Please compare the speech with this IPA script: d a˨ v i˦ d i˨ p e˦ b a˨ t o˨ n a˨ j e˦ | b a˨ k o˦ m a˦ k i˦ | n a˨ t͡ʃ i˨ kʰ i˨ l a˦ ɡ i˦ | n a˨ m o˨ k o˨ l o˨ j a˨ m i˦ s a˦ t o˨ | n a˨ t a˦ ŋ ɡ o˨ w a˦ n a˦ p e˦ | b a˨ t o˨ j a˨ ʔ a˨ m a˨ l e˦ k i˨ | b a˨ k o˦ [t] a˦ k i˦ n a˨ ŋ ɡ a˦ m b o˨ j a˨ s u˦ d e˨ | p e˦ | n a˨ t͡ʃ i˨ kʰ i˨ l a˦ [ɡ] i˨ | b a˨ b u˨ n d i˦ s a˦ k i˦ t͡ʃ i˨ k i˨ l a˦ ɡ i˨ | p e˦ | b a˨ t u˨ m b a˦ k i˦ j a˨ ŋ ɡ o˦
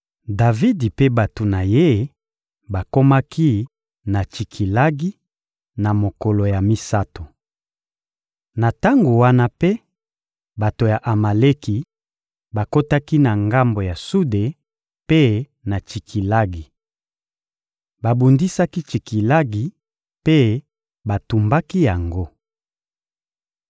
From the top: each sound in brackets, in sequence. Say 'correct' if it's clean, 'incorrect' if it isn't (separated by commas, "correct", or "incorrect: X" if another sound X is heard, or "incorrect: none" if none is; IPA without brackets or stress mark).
correct, correct